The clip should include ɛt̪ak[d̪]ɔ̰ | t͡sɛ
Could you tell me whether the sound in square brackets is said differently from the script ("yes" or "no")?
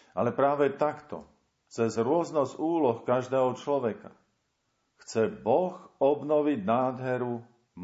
yes